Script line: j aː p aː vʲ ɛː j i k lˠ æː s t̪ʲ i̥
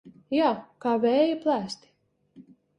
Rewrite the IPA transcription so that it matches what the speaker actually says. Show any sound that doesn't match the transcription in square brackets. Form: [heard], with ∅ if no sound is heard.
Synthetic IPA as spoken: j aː [k] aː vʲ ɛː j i [p] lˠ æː s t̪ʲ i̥